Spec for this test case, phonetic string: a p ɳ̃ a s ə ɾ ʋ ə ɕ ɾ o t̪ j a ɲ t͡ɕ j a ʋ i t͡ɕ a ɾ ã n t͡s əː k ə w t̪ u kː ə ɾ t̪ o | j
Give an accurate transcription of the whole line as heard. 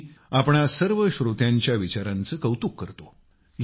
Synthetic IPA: a p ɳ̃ a s ə ɾ ʋ ə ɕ ɾ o t̪ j a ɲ t͡ɕ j a ʋ i t͡ɕ a ɾ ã n t͡s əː k ə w t̪ u kː ə ɾ t̪ o | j